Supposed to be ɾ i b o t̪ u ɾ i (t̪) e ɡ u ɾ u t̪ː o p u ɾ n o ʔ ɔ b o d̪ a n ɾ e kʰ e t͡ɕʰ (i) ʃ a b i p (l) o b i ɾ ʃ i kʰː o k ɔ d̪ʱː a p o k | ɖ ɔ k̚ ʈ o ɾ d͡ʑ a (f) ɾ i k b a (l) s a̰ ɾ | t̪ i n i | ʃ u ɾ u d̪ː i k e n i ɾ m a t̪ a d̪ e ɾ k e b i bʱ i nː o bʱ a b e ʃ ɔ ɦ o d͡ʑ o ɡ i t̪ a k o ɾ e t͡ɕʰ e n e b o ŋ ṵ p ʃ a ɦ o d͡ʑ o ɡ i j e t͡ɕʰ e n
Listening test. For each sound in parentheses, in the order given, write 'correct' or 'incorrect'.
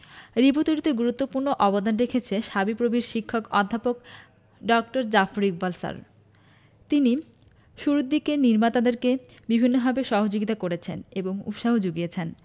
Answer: correct, incorrect, incorrect, correct, correct

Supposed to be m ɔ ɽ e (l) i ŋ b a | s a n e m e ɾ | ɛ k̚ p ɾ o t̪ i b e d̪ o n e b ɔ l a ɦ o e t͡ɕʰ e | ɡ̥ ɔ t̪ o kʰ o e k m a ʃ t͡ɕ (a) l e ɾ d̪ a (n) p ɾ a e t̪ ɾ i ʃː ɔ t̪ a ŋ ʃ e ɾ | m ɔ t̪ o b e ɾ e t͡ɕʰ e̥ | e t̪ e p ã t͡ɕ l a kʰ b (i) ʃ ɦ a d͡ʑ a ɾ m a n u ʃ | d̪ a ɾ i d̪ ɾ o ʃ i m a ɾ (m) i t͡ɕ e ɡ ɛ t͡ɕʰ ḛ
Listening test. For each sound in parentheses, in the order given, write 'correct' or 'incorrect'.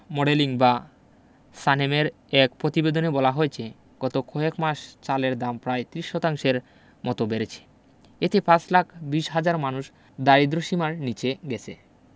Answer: correct, correct, incorrect, correct, incorrect

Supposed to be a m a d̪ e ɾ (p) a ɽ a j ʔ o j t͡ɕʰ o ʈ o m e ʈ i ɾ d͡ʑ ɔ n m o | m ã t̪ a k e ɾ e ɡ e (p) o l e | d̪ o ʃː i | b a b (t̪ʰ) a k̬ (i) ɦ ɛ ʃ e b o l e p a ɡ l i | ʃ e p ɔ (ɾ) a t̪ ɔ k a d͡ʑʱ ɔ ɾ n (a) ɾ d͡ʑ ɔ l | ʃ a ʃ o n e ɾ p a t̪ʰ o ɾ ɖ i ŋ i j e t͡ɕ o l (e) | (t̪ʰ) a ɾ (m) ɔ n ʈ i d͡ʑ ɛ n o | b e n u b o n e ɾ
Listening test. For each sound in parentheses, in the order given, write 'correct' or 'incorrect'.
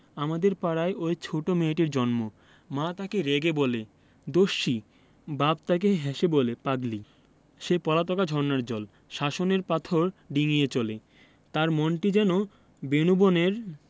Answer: correct, incorrect, incorrect, incorrect, incorrect, correct, correct, incorrect, correct

